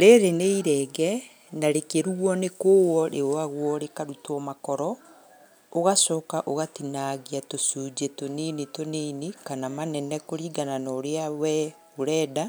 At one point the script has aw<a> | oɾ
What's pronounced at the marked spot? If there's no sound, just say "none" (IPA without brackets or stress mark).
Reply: ɛ